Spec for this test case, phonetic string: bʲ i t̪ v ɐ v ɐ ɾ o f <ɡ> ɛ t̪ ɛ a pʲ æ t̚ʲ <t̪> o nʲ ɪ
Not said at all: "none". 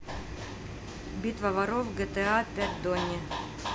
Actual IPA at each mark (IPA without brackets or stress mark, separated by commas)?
ɡ, d̪